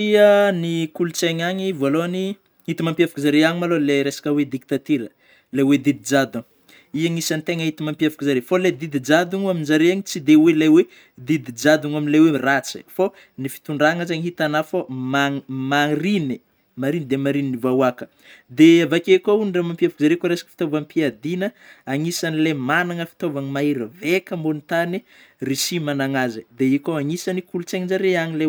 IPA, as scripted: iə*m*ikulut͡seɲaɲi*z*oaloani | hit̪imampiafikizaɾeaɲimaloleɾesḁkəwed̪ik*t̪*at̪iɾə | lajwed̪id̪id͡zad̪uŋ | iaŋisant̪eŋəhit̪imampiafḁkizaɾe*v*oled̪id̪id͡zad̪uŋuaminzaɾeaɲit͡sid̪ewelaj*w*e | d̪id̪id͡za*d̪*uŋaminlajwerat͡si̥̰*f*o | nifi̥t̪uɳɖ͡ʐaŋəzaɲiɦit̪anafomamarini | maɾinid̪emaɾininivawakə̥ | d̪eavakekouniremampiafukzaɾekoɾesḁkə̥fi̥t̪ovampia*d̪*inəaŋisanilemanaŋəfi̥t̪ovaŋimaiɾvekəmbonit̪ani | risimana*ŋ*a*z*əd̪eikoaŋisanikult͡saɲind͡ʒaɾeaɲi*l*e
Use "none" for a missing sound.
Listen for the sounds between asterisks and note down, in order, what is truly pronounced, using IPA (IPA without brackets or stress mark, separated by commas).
n, v, t̪, f, w, d̪, f, d̪, ŋ, z, l